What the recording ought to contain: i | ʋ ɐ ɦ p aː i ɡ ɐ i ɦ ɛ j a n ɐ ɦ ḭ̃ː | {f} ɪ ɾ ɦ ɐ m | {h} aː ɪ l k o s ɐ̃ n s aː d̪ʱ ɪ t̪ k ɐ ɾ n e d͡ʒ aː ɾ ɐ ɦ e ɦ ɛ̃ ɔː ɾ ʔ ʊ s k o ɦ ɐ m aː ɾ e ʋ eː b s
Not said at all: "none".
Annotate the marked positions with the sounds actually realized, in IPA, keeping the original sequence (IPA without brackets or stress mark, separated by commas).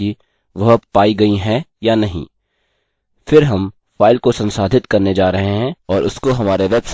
f, f